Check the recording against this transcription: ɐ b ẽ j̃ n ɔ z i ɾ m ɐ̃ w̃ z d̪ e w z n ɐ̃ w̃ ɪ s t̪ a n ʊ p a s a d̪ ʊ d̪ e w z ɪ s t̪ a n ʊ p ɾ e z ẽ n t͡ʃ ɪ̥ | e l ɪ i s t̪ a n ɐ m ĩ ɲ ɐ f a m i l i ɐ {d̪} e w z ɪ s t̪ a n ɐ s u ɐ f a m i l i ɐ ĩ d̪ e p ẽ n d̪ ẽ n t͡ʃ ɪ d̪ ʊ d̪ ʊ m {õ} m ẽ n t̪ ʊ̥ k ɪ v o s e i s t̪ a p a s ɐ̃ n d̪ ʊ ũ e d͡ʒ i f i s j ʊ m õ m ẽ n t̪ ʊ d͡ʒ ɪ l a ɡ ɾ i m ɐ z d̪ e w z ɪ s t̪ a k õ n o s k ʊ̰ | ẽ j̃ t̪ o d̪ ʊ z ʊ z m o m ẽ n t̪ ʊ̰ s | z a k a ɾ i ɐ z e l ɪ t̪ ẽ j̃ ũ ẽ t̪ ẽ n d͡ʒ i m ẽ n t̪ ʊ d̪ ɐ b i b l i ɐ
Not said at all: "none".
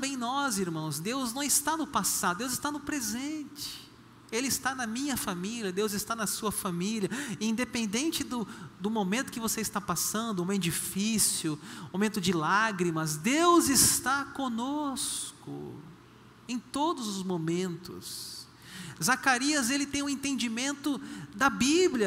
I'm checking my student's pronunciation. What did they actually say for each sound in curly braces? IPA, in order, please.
d̪, o

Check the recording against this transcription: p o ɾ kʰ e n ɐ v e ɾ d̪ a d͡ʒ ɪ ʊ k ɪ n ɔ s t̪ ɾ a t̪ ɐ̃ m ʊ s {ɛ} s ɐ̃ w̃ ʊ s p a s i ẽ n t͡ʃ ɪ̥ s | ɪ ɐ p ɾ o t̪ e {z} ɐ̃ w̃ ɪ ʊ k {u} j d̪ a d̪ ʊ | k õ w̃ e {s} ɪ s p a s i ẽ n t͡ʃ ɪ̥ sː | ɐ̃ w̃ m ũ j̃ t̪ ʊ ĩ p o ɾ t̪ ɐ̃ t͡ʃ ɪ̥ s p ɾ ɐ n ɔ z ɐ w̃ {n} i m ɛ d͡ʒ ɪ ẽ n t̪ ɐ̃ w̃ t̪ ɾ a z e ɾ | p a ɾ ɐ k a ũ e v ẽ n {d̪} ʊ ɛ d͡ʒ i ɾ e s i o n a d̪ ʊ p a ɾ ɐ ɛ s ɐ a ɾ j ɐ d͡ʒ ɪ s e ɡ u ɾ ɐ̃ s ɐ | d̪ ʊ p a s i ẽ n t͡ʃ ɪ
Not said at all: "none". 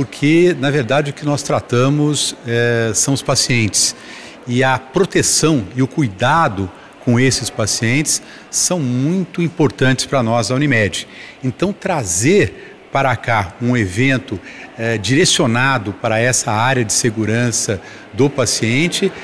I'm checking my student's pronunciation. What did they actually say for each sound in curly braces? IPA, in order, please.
ɛ, s, u, s, n, t̪

